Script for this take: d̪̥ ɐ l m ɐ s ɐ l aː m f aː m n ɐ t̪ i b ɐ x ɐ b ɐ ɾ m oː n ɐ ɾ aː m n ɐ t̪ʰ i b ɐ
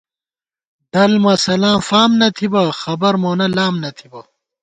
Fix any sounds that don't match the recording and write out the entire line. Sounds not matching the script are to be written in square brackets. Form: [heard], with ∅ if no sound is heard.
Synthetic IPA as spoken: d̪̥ ɐ l m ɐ s ɐ l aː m f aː m n ɐ [t̪ʰ] i b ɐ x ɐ b ɐ ɾ m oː n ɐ [l] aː m n ɐ t̪ʰ i b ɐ